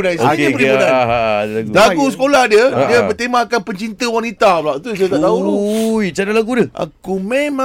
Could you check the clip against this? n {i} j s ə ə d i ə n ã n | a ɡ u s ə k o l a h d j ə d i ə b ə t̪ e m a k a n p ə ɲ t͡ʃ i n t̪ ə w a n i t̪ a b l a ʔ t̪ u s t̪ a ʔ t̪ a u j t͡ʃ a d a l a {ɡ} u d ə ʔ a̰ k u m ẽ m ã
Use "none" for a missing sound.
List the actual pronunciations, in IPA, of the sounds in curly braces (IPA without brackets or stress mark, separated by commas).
a, ɡ